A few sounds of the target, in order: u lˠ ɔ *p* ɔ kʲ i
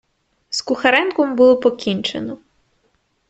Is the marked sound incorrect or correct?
correct